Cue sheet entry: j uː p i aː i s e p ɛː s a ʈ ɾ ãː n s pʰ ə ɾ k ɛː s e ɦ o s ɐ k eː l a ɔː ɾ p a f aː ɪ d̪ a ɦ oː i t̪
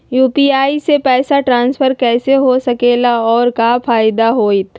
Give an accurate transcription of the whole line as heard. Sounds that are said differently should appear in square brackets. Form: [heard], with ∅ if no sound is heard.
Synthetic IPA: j uː p i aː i s e p ɛː s a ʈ ɾ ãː n s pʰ ə ɾ k ɛː s e ɦ o s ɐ k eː l a ɔː ɾ [k] a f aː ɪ d̪ a ɦ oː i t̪